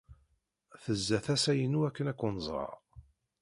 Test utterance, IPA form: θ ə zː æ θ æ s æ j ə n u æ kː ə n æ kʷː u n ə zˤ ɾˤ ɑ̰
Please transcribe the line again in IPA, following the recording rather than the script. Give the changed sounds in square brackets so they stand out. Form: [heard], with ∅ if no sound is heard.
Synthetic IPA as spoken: θ ə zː æ θ æ s æ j ə n u æ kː ə n æ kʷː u n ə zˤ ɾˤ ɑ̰